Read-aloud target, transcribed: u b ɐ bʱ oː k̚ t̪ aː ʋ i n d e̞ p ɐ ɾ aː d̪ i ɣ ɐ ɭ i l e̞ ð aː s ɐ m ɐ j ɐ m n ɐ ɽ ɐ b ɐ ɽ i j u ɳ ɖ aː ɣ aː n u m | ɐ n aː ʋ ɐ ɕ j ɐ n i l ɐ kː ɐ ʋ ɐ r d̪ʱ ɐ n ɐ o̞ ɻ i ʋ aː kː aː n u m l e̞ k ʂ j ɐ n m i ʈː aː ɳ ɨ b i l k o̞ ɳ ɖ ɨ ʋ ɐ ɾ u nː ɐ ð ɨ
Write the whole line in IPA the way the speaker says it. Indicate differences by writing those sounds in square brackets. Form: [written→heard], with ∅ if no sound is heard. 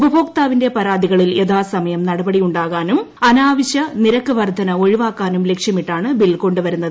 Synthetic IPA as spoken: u b ɐ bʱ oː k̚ t̪ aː ʋ i n d e̞ p ɐ ɾ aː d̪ i ɣ ɐ ɭ i l e̞ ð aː s ɐ m ɐ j ɐ m n ɐ ɽ ɐ b ɐ ɽ i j u ɳ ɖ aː ɣ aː n u m | ɐ n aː ʋ ɐ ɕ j ɐ n i [l→ɾ] ɐ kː ɐ ʋ ɐ r d̪ʱ ɐ n ɐ o̞ ɻ i ʋ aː kː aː n u m l e̞ k ʂ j ɐ [n→∅] m i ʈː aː ɳ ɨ b i l k o̞ ɳ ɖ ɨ ʋ ɐ ɾ u nː ɐ ð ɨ